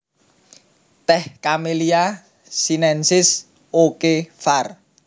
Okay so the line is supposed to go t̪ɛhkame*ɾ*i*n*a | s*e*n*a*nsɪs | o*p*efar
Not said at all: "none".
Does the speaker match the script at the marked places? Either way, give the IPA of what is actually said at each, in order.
l, none, i, ɛ, k

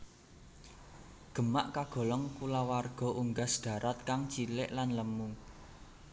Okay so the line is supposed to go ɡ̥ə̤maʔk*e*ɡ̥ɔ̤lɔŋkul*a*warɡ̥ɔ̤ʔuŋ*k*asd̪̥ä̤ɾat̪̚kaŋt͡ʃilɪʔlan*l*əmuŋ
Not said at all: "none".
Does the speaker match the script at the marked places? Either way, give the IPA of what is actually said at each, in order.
a, a, ɡ, l

